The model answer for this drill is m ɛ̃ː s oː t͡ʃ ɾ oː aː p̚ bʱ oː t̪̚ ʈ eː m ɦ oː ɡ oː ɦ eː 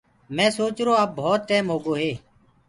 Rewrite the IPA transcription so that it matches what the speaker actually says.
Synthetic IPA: m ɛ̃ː s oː t͡ʃ ɾ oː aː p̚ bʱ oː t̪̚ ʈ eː m ɦ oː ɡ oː ɦ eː

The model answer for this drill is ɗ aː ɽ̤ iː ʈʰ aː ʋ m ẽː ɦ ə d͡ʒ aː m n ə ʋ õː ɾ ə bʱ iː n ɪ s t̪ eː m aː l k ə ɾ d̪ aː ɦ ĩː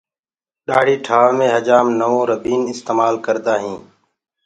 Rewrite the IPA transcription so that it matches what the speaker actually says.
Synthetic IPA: ɗ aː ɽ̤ iː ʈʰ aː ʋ m ẽː ɦ ə d͡ʒ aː m n ə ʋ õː ɾ ə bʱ iː n ɪ s t̪ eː m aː l k ə ɾ d̪ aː ɦ ĩː

